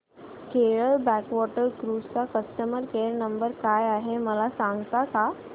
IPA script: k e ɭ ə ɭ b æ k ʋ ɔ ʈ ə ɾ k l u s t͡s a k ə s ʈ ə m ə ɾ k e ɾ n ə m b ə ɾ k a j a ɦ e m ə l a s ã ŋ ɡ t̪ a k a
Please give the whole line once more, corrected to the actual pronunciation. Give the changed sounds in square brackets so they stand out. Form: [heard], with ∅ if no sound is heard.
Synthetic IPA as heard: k e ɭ ə ɭ b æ k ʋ ɔ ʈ ə ɾ k [ɾ] u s t͡s a k ə s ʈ ə m ə ɾ k e ɾ n ə m b ə ɾ k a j a ɦ e m ə l a s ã ŋ ɡ t̪ a k a